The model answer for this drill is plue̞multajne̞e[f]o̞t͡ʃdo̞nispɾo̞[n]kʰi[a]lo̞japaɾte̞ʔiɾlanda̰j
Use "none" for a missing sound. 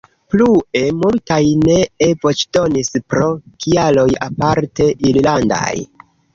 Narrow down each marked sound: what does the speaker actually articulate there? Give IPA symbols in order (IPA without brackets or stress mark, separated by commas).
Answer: v, none, a